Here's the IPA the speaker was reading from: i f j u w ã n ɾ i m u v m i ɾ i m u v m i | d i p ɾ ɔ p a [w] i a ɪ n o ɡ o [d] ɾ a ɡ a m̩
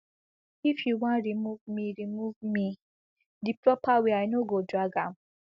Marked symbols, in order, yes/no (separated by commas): yes, yes